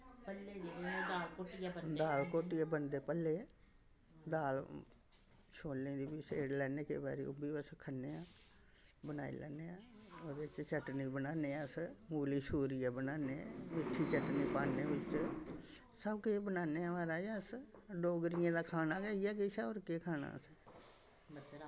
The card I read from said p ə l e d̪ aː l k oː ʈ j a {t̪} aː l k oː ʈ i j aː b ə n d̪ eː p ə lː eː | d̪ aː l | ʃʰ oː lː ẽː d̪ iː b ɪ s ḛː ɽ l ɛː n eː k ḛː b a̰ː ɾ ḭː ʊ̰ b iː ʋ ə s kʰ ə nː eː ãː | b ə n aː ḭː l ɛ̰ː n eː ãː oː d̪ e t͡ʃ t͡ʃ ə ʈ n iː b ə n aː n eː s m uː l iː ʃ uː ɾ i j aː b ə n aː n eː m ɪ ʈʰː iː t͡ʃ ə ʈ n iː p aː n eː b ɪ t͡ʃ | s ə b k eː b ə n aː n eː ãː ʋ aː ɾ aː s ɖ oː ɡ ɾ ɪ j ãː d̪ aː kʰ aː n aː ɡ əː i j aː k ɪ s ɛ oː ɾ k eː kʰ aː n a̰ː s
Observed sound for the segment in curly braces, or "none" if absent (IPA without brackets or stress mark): d̪